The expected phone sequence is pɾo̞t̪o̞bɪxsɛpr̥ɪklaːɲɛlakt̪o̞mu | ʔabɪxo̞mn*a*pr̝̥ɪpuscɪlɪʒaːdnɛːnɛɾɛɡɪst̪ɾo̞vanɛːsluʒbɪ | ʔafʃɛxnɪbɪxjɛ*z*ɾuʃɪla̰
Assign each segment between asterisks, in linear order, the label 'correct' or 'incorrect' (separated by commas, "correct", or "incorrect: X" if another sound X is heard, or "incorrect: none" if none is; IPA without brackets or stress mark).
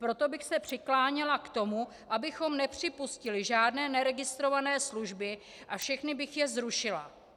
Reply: incorrect: ɛ, correct